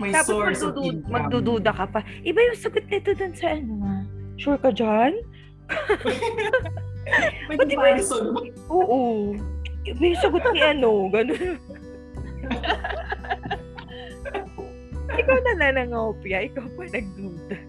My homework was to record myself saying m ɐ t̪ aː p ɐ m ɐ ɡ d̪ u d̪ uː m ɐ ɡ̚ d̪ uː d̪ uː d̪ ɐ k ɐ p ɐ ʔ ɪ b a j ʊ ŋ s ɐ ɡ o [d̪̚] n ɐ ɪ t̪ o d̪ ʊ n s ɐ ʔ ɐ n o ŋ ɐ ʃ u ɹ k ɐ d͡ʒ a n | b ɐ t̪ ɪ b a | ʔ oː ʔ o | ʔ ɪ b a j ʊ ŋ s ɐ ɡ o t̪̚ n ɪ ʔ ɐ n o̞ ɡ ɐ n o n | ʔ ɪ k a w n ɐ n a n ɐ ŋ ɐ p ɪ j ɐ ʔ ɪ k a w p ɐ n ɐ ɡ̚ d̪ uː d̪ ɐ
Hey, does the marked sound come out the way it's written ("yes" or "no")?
no